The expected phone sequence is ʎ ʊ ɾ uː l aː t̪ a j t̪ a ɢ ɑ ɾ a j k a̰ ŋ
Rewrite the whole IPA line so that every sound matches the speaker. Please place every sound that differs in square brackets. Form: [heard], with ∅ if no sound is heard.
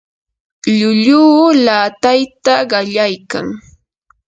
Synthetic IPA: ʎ ʊ [ʎ] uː l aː t̪ a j t̪ a ɢ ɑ [ʎ] a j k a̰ ŋ